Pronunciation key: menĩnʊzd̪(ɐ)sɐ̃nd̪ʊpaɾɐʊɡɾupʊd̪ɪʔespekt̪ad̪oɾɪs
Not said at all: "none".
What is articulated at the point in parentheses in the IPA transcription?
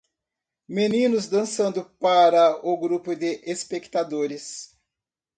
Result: ɐ̃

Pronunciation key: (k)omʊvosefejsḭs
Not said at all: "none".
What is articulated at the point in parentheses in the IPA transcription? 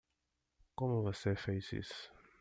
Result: k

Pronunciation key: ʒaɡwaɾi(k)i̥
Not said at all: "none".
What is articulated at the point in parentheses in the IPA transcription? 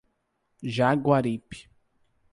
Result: p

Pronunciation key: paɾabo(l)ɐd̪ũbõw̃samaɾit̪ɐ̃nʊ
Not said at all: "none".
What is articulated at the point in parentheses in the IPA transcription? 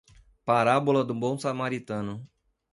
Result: l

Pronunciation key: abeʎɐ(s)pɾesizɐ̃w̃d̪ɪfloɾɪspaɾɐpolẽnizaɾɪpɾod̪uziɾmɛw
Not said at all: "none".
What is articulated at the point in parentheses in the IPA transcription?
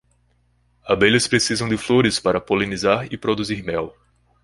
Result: s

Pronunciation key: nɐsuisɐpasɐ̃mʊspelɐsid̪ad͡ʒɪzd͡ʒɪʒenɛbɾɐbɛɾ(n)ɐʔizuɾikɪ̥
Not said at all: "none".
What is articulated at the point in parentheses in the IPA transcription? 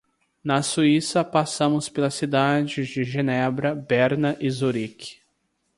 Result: n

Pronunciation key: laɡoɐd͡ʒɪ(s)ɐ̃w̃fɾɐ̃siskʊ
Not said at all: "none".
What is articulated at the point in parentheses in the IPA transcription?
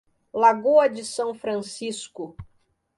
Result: s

